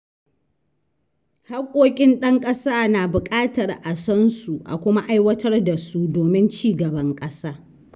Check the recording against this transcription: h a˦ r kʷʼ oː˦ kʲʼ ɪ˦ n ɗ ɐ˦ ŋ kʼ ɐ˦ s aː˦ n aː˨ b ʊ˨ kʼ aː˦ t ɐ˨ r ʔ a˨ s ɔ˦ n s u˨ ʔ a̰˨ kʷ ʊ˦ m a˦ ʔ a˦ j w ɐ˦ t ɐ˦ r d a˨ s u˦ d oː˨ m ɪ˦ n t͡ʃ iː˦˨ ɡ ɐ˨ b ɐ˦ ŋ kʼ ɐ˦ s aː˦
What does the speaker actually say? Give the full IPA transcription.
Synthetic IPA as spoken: h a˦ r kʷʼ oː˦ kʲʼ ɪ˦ n ɗ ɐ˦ ŋ kʼ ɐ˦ s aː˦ n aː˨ b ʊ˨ kʼ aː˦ t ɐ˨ r ʔ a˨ s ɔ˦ n s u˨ ʔ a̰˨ kʷ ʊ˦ m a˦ ʔ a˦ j w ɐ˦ t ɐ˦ r d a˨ s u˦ d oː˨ m ɪ˦ n t͡ʃ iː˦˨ ɡ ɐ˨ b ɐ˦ ŋ kʼ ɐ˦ s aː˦